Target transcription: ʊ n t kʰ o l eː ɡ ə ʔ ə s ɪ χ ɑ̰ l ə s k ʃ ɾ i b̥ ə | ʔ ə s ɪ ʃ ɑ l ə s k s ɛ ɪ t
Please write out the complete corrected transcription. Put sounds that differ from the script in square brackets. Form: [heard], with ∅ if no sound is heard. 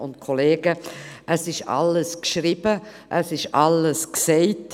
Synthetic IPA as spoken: ʊ n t kʰ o l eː ɡ ə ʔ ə s ɪ [ʃ] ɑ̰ l ə s k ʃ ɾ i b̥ ə | ʔ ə s ɪ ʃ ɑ l ə s k s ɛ ɪ t